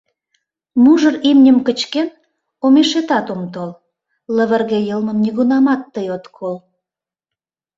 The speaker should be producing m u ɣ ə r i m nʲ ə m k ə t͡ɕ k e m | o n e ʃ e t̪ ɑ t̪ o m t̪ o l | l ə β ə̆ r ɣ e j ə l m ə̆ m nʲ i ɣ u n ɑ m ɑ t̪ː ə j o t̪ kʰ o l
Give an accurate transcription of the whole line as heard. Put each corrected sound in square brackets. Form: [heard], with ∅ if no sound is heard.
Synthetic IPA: m u [ʒ] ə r i m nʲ ə m k ə t͡ɕ k e [n] | o [m] e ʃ e t̪ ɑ t̪ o m t̪ o l | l ə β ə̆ r ɣ e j ə l m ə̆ m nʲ i ɣ u n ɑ m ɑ t̪ː ə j o t̪ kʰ o l